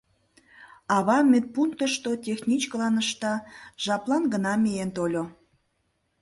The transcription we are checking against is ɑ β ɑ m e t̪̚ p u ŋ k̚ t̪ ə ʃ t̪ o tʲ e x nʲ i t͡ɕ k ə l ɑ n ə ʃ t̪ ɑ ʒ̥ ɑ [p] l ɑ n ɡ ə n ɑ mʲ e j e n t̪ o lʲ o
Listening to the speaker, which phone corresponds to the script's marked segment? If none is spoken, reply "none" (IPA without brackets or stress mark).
p